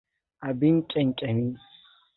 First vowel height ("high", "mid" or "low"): low